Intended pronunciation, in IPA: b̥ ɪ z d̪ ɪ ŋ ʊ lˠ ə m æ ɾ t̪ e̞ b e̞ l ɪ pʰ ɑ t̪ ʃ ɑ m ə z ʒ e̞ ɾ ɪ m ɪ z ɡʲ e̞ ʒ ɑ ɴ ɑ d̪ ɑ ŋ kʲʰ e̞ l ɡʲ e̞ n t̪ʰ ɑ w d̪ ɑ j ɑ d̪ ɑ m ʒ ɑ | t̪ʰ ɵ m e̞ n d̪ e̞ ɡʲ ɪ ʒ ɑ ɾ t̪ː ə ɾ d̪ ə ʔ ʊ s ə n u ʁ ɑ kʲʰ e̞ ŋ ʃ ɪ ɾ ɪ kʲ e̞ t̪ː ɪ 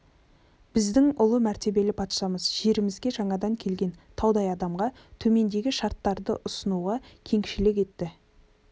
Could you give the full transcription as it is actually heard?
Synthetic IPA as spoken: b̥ ɪ z d̪ ɪ ŋ ʊ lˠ ə m æ ɾ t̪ e̞ b e̞ l ɪ pʰ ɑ t̪ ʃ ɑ m ə z ʒ e̞ ɾ ɪ m ɪ z ɡʲ e̞ ʒ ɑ ɴ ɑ d̪ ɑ ŋ kʲʰ e̞ l ɡʲ e̞ n t̪ʰ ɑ w d̪ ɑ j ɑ d̪ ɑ m ʁ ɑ | t̪ʰ ɵ m e̞ n d̪ e̞ ɡʲ ɪ ʃ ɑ ɾ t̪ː ɑ ɾ d̪ ə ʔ ʊ s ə n u ʁ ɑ kʲʰ e̞ ŋ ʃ ɪ l ɪ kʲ e̞ t̪ː ɪ

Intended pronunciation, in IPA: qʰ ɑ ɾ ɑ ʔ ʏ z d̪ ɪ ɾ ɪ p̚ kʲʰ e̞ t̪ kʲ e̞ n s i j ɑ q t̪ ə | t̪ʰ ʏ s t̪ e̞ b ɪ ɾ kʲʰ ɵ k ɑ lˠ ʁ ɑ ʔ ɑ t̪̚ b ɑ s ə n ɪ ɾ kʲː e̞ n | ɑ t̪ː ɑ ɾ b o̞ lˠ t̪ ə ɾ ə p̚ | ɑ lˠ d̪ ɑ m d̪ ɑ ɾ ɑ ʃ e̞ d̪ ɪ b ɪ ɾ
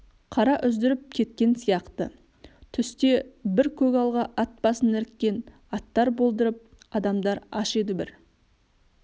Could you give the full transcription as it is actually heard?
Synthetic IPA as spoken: qʰ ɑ ɾ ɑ ʔ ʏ z d̪ ɪ ɾ ɪ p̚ kʲʰ e̞ t̪ kʲ e̞ n s i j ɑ q t̪ ə | t̪ʰ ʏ s t̪ e̞ b ɪ ɾ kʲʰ ɵ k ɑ lˠ ʁ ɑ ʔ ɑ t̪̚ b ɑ s ə n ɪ ɾ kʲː e̞ n | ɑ t̪ː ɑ ɾ b o̞ lˠ d̪ ə ɾ ə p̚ | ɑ d̪ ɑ m d̪ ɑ ɾ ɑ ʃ e̞ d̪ ɪ b ɪ ɾ

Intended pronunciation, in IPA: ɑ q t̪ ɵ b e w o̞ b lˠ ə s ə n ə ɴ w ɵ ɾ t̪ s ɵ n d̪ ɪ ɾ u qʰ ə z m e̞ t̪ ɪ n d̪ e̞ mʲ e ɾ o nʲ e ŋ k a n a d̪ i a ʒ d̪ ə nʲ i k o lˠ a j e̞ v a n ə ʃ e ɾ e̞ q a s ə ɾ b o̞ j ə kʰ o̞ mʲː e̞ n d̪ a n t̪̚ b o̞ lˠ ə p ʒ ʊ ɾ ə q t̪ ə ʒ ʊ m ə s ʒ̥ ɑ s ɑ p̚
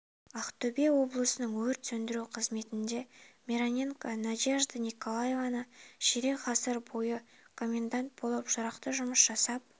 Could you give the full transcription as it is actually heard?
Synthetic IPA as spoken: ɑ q t̪ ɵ b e w o̞ b lˠ ə s ə n ə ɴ w ɵ ɾ t̪ s ɵ n d̪ ɪ ɾ u qʰ ə z m e̞ t̪ ɪ n d̪ e̞ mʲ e ɾ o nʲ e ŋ k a n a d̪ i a ʒ d̪ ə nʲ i k o lˠ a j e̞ v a n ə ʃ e ɾ e̞ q ɑ s ə ɾ b o̞ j ə kʰ o̞ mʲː e̞ n d̪ a n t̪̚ b o̞ lˠ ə p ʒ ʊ ɾ ɑ q t̪ ə ʒ ʊ m ə s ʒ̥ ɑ s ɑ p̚

